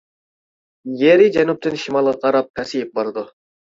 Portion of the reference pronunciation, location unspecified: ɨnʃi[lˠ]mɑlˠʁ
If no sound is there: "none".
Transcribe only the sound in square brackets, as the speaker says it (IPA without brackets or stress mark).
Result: none